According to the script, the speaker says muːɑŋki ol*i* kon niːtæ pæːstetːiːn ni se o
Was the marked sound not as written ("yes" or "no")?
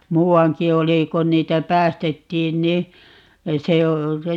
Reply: no